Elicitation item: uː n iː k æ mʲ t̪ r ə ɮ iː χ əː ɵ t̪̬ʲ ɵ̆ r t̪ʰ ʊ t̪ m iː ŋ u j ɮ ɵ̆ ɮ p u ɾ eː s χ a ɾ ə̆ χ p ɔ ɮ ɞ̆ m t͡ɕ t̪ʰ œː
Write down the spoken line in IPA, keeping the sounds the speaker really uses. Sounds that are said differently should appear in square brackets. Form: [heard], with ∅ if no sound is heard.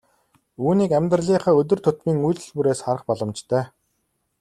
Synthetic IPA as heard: uː n iː k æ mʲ t̪ r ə ɮ iː χ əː ɵ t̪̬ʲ ɵ̆ r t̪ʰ ʊ t̪ m iː ŋ u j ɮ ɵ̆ ɮ p u ɾ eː s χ a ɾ ə̆ χ p ɔ ɮ ɞ̆ m t͡ɕ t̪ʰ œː